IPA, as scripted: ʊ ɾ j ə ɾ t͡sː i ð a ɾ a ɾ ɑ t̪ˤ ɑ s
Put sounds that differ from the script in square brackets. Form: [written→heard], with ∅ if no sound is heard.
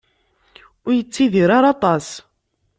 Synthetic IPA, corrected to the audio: ʊ ɾ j ə [ɾ→∅] t͡sː i ð [a→i] ɾ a ɾ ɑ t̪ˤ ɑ s